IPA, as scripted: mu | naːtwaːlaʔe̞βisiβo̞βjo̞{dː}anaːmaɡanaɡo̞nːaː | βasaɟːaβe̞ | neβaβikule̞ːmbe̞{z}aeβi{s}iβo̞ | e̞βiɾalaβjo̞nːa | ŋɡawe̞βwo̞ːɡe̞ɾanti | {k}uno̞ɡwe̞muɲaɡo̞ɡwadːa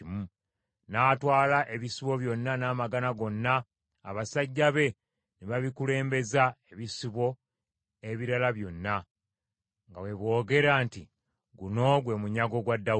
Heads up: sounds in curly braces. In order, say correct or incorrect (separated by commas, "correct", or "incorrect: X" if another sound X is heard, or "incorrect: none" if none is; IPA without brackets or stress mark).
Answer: incorrect: nː, correct, correct, incorrect: ɡ